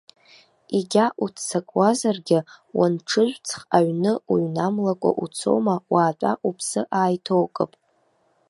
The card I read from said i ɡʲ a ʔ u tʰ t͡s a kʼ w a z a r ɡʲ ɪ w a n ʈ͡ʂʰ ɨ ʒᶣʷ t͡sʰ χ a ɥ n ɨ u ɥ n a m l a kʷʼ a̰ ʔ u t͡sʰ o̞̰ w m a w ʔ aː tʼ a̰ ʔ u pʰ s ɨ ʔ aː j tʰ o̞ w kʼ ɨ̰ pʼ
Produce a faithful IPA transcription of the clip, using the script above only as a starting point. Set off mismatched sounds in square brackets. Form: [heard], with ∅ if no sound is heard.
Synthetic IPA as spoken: i ɡʲ a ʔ u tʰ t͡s a kʼ w a z a r ɡʲ ɪ w a n ʈ͡ʂʰ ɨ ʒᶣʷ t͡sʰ χ a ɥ n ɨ u ɥ n a m l a kʷʼ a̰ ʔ u t͡sʰ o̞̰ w m a w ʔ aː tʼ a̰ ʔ u pʰ s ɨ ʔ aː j tʰ o̞ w kʼ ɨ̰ pʼ